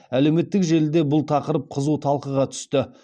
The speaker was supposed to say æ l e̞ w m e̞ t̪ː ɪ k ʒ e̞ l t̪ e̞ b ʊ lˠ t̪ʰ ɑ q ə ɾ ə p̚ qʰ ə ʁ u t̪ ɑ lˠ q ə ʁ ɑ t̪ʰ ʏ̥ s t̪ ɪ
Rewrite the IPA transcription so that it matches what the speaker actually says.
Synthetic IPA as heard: æ l e̞ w m e̞ t̪ː ɪ k ʒ e̞ l d̪ e̞ b ʊ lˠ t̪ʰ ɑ q ə ɾ ə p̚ qʰ ə z u t̪ʰ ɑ lˠ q ə ʁ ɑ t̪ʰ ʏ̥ s t̪ ɪ